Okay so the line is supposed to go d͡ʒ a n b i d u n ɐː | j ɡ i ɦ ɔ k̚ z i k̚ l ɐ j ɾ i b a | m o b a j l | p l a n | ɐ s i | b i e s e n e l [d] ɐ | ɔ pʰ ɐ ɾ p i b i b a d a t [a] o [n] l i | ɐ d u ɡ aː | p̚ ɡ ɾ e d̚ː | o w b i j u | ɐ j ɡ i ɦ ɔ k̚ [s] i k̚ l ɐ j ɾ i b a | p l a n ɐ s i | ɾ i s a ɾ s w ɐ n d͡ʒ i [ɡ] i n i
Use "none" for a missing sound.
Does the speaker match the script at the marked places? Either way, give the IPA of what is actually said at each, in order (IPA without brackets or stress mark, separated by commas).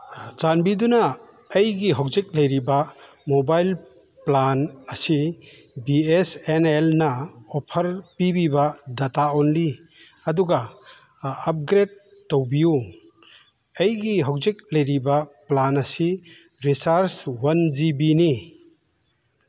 n, a, n, z, b